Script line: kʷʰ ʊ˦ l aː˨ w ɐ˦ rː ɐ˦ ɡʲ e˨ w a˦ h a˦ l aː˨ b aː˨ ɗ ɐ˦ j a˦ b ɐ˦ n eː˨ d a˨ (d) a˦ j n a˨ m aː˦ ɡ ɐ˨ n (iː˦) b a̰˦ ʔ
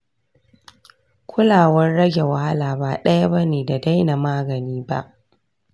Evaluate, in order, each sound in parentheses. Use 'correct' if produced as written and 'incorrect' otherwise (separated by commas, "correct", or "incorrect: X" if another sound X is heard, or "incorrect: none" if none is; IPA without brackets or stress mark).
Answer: correct, correct